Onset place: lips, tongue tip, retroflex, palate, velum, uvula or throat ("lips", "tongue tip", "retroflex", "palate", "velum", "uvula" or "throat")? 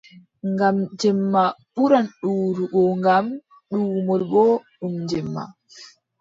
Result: velum